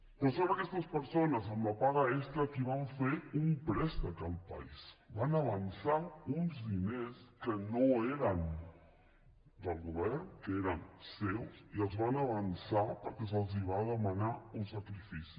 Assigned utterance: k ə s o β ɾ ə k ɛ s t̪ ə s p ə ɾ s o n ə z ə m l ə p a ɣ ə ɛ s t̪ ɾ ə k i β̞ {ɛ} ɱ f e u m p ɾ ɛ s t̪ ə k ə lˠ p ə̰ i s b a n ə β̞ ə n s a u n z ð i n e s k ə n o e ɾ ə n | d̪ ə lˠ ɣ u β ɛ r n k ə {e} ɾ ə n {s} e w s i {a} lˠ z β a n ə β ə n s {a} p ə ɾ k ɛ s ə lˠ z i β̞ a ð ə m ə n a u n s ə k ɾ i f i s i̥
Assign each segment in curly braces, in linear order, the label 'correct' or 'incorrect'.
incorrect: a, correct, correct, incorrect: ə, correct

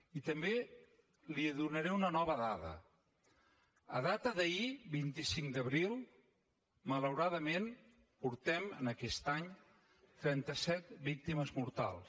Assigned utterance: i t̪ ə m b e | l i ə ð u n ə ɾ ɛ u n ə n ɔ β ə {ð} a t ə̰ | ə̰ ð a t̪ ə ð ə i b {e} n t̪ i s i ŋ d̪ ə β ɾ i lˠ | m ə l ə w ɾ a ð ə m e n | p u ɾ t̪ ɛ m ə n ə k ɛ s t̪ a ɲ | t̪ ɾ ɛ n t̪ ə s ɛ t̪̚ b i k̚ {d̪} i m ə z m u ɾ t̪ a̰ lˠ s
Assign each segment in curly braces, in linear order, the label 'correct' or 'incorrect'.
correct, incorrect: i, incorrect: t̪

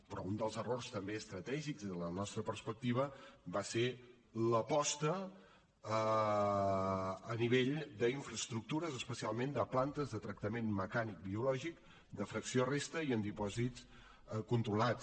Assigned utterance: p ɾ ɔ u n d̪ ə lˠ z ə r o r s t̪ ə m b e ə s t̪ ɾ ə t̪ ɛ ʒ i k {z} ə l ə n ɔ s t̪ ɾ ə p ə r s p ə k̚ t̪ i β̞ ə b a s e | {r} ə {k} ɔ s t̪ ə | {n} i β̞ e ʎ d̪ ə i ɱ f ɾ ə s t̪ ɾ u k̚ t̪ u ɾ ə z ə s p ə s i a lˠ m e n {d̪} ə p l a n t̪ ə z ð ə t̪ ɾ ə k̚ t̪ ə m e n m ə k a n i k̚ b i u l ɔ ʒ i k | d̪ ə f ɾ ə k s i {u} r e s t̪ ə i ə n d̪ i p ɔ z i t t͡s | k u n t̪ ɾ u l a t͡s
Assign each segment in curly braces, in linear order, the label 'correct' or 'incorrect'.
correct, incorrect: l, incorrect: p, correct, correct, incorrect: o

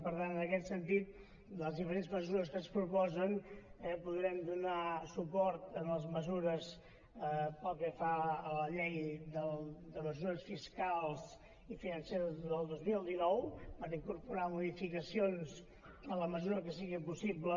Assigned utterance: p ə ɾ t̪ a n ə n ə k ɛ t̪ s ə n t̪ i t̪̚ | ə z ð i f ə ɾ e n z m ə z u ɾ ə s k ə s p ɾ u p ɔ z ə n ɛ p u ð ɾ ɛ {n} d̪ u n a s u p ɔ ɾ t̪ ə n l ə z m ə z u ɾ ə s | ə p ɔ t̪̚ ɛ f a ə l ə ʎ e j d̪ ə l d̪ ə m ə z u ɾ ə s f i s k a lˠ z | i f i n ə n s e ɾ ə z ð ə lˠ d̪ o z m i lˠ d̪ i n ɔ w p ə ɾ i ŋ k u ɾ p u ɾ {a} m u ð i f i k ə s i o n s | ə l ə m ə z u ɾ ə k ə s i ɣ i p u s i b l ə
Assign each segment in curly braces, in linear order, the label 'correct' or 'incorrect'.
incorrect: m, correct

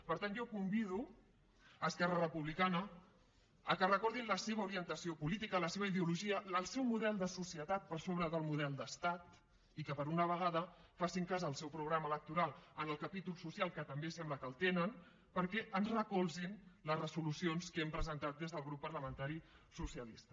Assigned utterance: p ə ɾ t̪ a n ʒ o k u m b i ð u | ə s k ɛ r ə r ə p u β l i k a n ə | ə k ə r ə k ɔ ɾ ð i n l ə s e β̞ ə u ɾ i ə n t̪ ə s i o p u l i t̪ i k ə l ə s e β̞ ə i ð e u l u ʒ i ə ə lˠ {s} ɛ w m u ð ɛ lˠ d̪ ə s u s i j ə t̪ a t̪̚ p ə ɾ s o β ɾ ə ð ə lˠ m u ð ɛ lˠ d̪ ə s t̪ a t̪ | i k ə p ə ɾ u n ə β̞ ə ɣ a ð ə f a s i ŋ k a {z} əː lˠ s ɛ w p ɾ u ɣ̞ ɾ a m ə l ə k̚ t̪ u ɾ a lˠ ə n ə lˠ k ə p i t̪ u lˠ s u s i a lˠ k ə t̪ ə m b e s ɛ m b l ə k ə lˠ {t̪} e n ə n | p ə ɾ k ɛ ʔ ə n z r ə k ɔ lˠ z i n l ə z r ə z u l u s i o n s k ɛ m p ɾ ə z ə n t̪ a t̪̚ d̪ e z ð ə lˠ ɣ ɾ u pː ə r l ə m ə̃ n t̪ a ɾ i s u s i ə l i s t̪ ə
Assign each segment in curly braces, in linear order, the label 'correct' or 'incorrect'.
correct, correct, correct

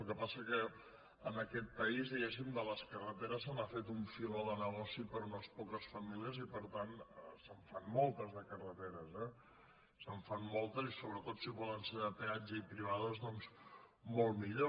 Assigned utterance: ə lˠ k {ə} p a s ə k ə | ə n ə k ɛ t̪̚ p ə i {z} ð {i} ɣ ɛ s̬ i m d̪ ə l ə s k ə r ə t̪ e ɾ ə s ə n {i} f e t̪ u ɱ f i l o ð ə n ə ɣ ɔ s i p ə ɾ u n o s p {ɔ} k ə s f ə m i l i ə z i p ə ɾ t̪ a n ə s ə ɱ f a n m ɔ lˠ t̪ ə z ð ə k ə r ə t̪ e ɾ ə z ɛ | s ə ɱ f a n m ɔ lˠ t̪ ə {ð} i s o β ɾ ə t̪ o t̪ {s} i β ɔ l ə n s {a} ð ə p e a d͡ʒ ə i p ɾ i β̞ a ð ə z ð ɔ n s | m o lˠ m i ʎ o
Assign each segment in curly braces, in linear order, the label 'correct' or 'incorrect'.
correct, correct, correct, incorrect: a, correct, incorrect: z, correct, incorrect: e

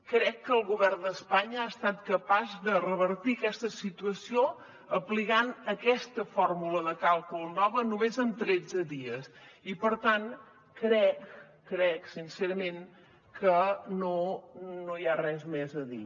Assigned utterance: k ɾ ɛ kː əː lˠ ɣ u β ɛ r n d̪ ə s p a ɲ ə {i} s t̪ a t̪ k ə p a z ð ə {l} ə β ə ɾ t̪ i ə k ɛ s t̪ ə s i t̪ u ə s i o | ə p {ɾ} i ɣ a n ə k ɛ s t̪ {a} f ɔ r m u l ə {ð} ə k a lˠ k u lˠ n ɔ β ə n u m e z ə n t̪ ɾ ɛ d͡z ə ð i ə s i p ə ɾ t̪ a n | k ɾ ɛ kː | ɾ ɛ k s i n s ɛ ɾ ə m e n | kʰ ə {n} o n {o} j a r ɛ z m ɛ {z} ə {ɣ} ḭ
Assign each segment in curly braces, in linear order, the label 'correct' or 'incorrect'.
incorrect: a, incorrect: r, incorrect: l, incorrect: ə, correct, correct, correct, correct, incorrect: ð

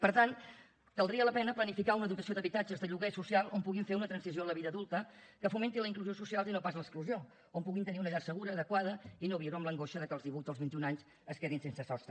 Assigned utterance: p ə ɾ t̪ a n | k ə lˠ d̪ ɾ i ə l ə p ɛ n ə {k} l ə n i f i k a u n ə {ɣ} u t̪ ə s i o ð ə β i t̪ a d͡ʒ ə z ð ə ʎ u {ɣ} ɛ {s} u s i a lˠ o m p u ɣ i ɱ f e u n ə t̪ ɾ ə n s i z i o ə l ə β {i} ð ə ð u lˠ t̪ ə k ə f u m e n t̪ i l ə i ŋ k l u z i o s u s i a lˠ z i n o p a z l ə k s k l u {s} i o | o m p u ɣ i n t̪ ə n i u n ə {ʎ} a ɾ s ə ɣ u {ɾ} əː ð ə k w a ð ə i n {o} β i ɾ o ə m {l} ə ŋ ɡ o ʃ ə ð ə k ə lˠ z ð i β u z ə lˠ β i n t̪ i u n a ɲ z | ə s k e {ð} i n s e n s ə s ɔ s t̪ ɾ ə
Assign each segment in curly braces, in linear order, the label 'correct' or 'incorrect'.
incorrect: p, incorrect: ð, correct, correct, correct, incorrect: z, correct, correct, correct, correct, correct

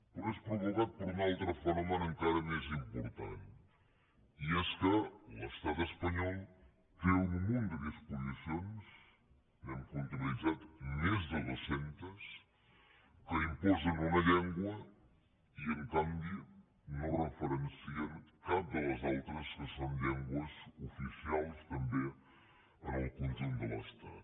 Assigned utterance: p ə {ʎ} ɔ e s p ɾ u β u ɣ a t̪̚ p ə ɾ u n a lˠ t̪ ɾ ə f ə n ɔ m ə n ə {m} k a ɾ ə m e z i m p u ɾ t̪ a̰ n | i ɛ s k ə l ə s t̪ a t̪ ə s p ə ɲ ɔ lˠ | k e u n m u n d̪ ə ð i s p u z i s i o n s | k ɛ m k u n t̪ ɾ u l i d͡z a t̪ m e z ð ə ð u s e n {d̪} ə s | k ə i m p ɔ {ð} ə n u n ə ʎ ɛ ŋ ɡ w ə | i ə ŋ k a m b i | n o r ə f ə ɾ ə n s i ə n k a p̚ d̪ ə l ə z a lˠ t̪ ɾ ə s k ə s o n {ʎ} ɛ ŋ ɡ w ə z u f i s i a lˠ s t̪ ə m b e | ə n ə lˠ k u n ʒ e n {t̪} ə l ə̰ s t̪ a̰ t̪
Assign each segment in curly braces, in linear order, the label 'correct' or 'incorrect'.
incorrect: ɾ, incorrect: ŋ, incorrect: t̪, incorrect: z, correct, incorrect: d̪

